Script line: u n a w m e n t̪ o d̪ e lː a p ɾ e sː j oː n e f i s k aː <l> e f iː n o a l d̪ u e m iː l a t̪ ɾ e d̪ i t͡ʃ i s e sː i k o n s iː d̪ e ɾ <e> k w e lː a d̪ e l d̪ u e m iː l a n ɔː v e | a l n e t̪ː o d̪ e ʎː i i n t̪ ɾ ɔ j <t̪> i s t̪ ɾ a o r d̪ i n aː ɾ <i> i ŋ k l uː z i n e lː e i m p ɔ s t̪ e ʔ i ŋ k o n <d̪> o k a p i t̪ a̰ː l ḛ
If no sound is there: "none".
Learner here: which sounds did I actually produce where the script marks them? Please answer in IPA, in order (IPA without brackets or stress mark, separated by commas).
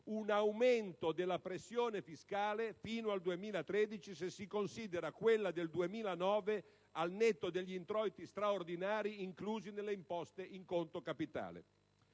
l, a, t̪, i, t̪